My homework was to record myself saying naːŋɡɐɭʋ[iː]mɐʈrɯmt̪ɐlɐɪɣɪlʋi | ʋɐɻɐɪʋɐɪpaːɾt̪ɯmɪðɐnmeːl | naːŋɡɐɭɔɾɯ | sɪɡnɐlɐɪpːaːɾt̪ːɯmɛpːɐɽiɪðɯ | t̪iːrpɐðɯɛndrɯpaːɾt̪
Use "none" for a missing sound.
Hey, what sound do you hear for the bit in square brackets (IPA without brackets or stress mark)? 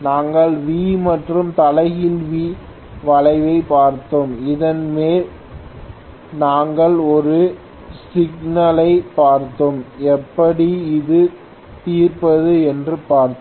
iː